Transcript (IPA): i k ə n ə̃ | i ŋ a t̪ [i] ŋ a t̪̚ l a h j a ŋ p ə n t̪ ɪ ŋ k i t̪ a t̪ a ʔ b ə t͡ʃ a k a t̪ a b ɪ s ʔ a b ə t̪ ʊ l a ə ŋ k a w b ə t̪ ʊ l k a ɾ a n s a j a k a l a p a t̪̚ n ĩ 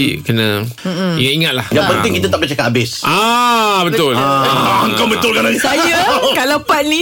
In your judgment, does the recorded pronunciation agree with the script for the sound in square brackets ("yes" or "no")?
yes